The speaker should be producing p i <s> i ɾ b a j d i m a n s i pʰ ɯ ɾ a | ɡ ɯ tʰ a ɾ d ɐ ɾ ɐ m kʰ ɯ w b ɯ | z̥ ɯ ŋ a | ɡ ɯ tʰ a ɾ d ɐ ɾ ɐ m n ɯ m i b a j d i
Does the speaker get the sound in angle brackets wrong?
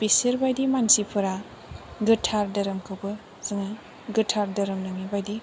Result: no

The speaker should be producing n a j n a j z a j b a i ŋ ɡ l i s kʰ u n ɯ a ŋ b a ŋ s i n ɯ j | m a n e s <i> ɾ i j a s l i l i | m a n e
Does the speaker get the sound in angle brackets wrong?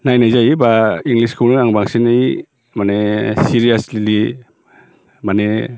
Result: no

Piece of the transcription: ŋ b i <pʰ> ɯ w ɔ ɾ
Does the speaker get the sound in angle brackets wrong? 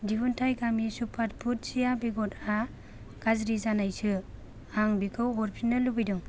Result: yes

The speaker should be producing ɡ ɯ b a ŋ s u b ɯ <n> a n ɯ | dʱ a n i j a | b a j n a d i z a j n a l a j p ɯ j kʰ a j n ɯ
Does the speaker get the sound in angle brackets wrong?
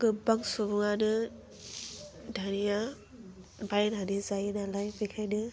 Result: yes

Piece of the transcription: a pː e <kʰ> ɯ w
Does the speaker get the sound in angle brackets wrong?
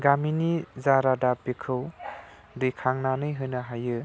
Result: no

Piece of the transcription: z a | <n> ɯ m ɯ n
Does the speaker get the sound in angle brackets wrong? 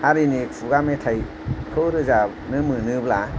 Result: no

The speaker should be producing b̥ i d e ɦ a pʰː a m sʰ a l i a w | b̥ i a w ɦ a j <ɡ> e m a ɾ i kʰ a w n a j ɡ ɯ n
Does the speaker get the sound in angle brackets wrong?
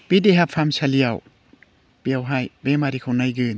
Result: yes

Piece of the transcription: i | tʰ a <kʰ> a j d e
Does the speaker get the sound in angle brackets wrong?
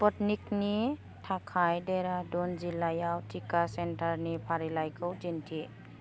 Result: no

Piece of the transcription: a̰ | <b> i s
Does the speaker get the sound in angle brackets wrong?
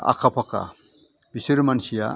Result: no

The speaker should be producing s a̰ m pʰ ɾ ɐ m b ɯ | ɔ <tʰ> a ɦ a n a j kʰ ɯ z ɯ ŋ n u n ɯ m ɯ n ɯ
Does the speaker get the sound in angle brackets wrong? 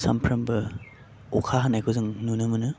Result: yes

